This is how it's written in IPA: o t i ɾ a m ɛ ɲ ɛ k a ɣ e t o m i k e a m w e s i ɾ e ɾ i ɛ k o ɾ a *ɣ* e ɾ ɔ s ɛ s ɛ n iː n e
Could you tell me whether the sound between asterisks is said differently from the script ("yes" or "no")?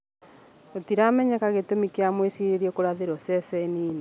yes